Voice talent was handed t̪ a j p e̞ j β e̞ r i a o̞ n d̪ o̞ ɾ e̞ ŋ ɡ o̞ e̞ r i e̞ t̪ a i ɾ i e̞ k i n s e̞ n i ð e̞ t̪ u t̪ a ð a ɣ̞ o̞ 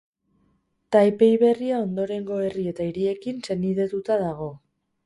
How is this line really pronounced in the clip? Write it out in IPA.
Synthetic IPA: t̪ a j p e̞ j β e̞ r i a o̞ n d̪ o̞ ɾ e̞ ŋ ɡ o̞ e̞ r i e̞ t̪ a i ɾ i e̞ k i n s e̞ n i ð e̞ t̪ u t̪ a ð a ɣ̞ o̞